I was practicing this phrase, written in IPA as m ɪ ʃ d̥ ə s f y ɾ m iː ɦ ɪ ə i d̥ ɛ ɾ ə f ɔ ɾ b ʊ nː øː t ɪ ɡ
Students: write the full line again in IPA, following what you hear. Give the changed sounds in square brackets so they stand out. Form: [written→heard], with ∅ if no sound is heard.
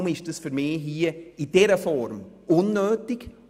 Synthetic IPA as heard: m ɪ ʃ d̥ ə s f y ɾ m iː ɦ [ɪ→i] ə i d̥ ɛ ɾ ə f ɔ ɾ [b→m] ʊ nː øː t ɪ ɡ